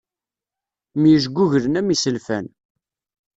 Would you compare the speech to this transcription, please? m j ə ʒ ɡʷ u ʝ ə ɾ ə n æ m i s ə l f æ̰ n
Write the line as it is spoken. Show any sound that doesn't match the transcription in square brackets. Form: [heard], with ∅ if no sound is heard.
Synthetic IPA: m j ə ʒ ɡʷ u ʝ ə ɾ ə n æ m i s ə l f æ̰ n